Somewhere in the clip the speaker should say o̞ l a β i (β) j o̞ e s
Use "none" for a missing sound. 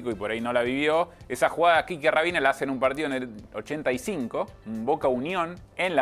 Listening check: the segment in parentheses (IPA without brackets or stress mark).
β